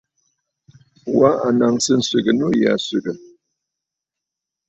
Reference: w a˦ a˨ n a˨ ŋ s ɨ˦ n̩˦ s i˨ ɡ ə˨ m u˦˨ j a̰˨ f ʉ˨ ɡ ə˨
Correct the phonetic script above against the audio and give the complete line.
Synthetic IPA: w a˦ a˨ n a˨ ŋ s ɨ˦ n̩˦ s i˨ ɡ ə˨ n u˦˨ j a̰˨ s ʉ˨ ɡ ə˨